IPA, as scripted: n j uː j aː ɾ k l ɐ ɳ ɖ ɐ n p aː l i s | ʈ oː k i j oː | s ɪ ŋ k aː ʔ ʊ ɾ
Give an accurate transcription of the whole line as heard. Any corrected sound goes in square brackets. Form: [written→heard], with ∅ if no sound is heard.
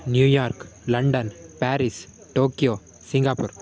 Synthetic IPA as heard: n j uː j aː ɾ k l ɐ ɳ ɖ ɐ n p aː [l→ɾ] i s | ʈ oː k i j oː | s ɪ ŋ [k→ɡ] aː [ʔ→p] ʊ ɾ